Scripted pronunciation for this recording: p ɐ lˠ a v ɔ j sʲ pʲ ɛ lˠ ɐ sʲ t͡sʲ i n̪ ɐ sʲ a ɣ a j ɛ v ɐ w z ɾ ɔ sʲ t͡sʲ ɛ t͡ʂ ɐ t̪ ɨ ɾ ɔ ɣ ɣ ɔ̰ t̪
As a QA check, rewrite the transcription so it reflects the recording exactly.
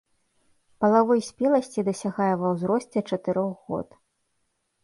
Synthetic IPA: p ɐ lˠ a v ɔ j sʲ pʲ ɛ lˠ ɐ sʲ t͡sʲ i d̪ ɐ sʲ a ɣ a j ɛ v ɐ w z ɾ ɔ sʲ t͡sʲ ɛ t͡ʂ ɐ t̪ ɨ ɾ ɔ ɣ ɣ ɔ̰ t̪